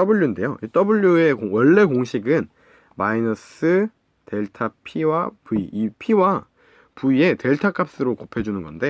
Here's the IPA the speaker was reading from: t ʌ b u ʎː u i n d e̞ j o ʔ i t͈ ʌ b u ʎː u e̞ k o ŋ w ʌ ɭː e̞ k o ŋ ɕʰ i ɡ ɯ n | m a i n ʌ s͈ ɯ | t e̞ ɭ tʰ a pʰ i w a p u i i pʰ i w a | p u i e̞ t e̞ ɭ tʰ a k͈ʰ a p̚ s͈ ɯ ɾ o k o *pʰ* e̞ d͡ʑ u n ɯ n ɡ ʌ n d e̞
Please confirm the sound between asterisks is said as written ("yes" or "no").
yes